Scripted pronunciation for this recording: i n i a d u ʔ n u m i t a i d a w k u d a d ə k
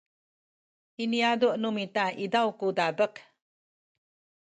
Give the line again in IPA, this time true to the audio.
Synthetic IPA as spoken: i n i a d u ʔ n u m i t a i d a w k u d a b ə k